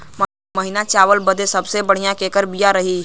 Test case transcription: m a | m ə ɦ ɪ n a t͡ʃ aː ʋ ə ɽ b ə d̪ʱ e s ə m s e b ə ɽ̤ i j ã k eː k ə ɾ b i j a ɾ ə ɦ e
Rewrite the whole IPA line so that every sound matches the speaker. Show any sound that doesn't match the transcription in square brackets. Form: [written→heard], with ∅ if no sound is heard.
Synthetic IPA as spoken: m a | m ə ɦ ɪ n a t͡ʃ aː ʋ ə [ɽ→l] b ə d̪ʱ e s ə [m→b] s e b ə ɽ̤ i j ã k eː k ə ɾ b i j a ɾ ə ɦ [e→i]